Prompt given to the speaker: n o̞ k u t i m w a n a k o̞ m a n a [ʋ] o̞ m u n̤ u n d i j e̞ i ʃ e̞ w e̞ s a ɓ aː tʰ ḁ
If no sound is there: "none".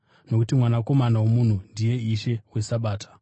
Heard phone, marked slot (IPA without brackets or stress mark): w